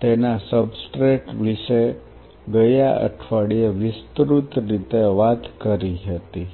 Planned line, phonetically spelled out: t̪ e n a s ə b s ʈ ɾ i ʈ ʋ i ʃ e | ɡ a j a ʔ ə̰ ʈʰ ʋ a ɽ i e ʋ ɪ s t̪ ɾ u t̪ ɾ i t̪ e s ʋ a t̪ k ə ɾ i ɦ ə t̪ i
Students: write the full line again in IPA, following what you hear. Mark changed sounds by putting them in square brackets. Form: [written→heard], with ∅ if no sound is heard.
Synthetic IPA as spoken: t̪ e n a s ə b s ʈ ɾ [i→e] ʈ ʋ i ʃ e | ɡ [a→ə] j a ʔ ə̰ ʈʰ ʋ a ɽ i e ʋ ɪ s t̪ ɾ u t̪ ɾ i t̪ e [s→∅] ʋ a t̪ k ə ɾ i ɦ ə t̪ i